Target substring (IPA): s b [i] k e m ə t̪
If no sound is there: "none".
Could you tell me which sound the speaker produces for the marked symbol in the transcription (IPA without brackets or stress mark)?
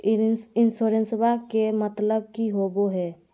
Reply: a